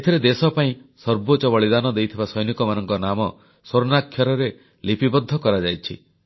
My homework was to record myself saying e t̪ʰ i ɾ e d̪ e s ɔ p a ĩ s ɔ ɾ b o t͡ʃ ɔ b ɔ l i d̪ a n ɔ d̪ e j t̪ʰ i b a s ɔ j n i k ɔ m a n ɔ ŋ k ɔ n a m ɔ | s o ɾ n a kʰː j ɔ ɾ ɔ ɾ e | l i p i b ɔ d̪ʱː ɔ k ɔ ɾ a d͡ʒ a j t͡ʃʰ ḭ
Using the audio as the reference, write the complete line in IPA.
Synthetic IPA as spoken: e t̪ʰ i ɾ e d̪ e s ɔ p a ĩ s ɔ ɾ b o t͡ʃ ɔ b ɔ ɭ i d̪ a n ɔ d̪ e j t̪ʰ i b a s ɔ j n i k ɔ m a n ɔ ŋ k ɔ n a m ɔ | s o ɾ n a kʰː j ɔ ɾ ɔ ɾ e | l i p i b ɔ d̪ʱː ɔ k ɔ ɾ a d͡ʒ a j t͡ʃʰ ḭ